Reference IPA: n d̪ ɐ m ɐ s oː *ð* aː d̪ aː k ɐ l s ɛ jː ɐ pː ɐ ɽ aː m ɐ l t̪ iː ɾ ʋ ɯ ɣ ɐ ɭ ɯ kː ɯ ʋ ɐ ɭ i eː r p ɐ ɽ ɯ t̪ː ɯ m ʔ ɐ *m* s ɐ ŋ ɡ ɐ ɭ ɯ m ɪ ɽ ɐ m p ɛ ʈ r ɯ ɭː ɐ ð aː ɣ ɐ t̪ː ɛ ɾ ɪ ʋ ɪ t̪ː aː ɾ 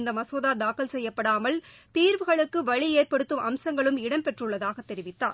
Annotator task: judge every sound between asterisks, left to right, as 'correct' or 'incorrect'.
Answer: correct, correct

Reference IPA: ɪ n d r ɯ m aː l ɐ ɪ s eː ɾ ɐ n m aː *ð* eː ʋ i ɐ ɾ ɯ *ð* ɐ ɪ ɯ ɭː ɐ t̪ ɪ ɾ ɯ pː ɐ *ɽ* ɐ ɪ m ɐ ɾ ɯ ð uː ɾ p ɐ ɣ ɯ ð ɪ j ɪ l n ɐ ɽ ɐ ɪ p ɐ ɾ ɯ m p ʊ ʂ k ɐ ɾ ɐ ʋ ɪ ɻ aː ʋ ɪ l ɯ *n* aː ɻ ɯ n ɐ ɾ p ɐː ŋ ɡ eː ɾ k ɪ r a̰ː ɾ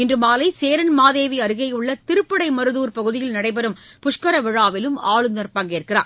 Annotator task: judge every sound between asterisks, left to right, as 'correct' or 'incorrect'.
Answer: correct, incorrect: ɣ, correct, incorrect: m

